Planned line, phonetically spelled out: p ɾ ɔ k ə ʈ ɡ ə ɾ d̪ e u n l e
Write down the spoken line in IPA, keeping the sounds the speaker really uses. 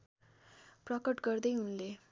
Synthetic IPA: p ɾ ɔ k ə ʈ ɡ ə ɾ d̪ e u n l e